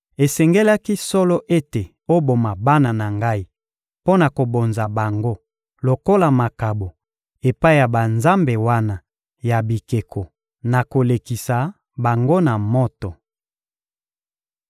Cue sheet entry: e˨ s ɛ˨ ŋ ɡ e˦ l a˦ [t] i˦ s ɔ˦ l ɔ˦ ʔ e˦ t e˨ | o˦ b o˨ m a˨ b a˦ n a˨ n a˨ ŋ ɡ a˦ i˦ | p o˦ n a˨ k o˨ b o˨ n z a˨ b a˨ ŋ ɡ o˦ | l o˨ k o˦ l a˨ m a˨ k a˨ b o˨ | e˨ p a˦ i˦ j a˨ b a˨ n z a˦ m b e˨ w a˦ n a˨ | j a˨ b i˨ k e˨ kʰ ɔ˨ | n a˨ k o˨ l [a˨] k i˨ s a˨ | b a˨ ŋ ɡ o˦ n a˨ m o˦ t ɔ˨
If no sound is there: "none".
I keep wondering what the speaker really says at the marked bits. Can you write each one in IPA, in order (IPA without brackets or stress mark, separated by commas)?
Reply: k, e˨